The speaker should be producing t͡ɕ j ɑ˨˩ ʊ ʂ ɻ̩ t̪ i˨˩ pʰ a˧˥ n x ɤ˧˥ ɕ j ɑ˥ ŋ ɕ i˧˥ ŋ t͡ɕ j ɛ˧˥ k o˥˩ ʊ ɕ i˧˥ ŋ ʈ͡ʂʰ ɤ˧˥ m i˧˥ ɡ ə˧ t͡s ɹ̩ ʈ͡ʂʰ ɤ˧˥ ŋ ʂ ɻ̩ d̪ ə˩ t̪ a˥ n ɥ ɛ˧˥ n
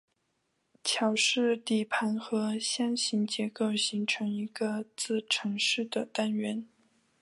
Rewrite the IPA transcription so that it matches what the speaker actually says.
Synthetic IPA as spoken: t͡ɕʰ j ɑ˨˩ ʊ ʂ ɻ̩ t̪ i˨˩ pʰ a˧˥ n x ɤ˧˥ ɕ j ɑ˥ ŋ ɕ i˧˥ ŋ t͡ɕ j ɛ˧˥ k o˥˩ ʊ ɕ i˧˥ ŋ ʈ͡ʂʰ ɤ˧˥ ŋ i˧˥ ɡ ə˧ t͡s ɹ̩ ʈ͡ʂʰ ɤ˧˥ ŋ ʂ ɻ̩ d̪ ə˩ t̪ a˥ n ɥ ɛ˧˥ n

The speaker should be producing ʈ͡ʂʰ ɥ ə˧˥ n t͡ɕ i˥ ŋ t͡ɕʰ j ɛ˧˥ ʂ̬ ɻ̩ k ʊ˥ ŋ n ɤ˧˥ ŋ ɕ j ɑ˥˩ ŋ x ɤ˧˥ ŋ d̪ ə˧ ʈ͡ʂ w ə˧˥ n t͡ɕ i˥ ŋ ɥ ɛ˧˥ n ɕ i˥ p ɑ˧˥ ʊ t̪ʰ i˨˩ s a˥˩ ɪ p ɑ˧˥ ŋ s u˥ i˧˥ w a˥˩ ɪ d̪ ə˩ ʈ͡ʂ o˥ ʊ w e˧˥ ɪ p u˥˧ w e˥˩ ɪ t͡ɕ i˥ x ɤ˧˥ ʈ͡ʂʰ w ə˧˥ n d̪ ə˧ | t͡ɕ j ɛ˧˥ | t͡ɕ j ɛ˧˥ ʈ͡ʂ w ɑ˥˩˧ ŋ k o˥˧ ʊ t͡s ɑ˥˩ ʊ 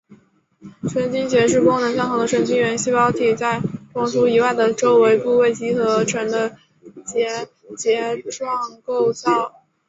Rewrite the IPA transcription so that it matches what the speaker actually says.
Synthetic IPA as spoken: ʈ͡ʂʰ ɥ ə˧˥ n t͡ɕ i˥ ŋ t͡ɕ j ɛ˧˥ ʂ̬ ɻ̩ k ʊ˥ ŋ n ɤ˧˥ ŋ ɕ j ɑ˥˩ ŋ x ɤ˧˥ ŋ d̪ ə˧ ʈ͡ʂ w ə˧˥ n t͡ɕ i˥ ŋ ɥ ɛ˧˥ n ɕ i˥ p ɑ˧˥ ʊ t̪ʰ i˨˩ t͡s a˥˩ ɪ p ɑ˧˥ ŋ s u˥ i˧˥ w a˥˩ ɪ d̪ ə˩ ʈ͡ʂ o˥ ʊ w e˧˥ ɪ p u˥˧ w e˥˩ ɪ t͡ɕ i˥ x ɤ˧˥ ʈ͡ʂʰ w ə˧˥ n d̪ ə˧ | t͡ɕ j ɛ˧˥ | t͡ɕ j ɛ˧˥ ʈ͡ʂ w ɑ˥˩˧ ŋ k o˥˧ ʊ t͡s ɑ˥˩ ʊ

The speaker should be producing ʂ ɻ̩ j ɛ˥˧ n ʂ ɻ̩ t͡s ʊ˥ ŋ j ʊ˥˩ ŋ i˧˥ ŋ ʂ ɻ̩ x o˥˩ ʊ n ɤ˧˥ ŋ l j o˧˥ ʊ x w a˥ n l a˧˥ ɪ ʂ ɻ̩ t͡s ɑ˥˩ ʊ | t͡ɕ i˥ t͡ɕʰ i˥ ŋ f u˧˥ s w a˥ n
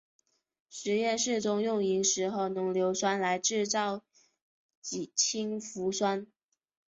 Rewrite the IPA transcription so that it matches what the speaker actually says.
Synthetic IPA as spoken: ʂ ɻ̩ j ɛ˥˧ n ʂ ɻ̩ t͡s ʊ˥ ŋ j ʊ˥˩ ŋ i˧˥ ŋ ʂ ɻ̩ x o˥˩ ʊ n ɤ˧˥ ŋ l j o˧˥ ʊ s w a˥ n l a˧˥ ɪ ʈ͡ʂ ɻ̩ t͡s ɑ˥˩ ʊ | t͡ɕ i˨˩ t͡ɕʰ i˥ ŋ f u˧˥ s w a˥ n

